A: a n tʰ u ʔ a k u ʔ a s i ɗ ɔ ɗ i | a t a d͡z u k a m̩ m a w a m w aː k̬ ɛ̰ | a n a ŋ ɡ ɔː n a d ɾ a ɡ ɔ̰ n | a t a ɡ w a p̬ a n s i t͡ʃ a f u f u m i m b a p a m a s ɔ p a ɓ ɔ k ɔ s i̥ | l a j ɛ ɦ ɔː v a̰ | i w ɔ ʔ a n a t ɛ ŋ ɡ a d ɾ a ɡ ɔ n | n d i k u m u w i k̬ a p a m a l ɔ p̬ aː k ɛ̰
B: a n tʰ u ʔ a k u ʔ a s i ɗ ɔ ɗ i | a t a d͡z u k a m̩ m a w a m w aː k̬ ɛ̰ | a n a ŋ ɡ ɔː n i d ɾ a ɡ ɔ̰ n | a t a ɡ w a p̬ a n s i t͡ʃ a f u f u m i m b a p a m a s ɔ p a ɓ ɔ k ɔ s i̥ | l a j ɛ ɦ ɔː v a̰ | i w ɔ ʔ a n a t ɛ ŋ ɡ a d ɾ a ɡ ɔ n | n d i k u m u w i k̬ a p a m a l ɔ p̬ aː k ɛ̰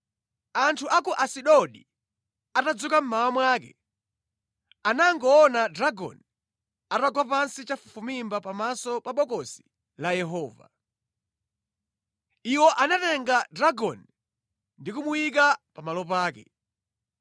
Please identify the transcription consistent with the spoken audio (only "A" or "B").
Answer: A